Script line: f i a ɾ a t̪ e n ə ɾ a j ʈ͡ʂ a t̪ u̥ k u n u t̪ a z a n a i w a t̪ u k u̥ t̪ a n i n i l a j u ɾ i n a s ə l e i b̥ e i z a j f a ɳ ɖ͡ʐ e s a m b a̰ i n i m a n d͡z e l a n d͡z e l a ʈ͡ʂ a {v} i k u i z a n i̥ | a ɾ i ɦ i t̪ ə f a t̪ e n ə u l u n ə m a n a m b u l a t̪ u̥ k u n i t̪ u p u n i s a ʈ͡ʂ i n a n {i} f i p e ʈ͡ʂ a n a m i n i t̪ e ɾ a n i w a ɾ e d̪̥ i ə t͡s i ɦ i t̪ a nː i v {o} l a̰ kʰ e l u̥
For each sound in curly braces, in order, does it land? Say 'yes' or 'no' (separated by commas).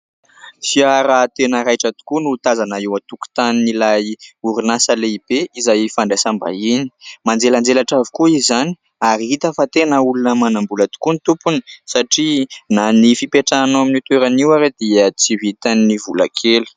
yes, yes, no